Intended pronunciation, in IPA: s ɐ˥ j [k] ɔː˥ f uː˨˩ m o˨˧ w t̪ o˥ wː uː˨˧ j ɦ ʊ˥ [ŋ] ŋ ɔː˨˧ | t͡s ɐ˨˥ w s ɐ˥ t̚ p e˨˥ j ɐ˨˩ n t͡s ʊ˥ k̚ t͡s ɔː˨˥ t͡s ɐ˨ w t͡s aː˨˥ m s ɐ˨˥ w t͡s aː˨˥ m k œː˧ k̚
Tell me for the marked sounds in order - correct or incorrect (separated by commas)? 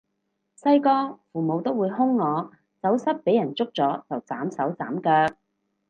correct, correct